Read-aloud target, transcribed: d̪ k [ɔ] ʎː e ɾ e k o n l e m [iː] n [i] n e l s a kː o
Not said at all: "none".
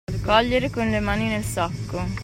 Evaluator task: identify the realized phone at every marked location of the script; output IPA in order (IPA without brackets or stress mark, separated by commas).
ɔ, aː, i